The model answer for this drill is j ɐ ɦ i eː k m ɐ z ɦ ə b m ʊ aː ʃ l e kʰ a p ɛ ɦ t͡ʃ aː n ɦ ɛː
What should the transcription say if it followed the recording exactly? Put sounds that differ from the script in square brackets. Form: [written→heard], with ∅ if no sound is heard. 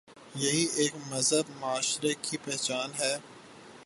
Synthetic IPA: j ɐ ɦ i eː k m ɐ z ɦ ə b m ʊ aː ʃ [l→ɾ] e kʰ [a→i] p ɛ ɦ t͡ʃ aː n ɦ ɛː